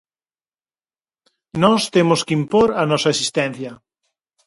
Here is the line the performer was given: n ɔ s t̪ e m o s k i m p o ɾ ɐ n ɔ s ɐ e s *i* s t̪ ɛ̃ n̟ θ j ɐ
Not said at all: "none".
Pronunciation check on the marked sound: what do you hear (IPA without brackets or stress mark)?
i